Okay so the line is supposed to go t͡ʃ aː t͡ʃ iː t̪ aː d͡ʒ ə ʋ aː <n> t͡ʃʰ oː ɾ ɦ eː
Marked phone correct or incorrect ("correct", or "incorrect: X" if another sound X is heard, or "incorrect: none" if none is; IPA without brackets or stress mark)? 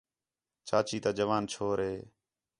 correct